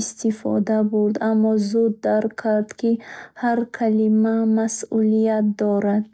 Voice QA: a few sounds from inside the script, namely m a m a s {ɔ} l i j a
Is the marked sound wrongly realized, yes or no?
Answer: yes